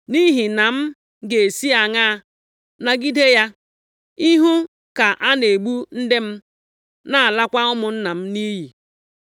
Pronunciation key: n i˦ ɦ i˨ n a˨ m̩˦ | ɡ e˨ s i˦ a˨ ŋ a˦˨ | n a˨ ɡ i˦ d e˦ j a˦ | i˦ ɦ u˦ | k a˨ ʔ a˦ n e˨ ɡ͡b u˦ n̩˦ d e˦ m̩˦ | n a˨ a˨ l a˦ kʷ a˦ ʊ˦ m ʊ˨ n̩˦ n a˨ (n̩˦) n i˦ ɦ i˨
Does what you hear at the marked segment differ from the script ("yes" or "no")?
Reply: yes